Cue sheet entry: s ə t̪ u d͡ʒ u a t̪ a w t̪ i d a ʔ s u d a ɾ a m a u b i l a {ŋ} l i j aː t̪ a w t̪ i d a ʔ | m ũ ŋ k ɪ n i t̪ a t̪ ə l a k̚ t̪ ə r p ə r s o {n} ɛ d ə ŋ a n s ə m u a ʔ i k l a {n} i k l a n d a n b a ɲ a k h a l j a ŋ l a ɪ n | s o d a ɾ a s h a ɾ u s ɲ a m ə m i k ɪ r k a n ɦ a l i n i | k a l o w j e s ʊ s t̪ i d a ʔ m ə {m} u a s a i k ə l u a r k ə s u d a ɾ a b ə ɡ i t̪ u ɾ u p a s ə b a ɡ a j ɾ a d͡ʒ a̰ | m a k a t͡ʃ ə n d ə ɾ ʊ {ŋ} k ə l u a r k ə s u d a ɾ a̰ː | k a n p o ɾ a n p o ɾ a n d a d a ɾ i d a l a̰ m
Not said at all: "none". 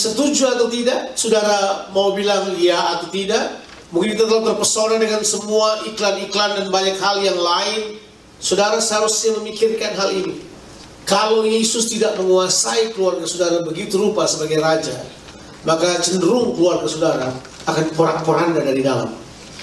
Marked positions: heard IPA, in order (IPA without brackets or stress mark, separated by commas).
ŋ, n, n, ŋ, ŋ